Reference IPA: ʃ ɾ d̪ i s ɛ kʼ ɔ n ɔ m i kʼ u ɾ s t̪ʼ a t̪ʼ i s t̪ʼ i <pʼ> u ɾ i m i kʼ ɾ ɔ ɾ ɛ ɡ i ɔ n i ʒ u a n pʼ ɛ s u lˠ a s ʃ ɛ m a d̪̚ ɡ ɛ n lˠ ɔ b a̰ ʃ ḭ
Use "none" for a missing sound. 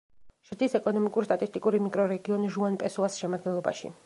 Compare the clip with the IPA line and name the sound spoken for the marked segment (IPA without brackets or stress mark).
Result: kʼ